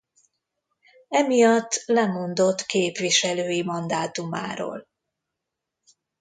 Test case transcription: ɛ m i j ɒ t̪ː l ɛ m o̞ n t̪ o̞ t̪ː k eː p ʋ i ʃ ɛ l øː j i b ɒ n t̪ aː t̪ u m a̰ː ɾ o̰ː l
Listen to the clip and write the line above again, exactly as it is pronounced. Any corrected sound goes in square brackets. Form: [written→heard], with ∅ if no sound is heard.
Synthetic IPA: ɛ m i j ɒ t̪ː l ɛ m o̞ n [t̪→d̪] o̞ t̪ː k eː p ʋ i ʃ ɛ l øː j i [b→m] ɒ n [t̪→d̪] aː t̪ u m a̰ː ɾ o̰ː l